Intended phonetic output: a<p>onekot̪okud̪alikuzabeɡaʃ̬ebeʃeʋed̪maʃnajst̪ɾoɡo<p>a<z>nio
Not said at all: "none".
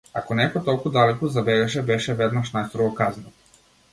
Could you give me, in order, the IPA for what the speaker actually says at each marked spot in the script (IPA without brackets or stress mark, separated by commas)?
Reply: k, k, z